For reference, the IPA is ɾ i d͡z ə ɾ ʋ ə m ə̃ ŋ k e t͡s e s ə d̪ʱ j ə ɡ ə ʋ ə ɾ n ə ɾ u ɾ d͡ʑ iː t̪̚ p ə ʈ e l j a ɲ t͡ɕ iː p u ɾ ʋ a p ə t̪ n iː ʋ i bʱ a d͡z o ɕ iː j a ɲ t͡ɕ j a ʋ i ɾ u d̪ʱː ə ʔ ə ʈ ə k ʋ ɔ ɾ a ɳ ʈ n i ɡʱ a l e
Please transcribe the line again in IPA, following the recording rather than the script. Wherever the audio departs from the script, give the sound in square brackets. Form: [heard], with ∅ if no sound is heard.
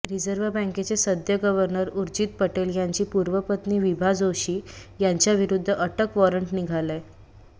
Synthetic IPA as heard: ɾ i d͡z ə ɾ ʋ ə [b] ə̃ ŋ k e t͡s e s ə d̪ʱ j ə ɡ ə ʋ ə ɾ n ə ɾ u ɾ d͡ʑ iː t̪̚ p ə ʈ e l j a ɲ t͡ɕ iː p u ɾ ʋ [ə] p ə t̪ n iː ʋ i bʱ a d͡z o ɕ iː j a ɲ t͡ɕ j a ʋ i ɾ u d̪ʱː ə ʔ ə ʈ ə k ʋ ɔ ɾ [ə] ɳ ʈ n i ɡʱ a l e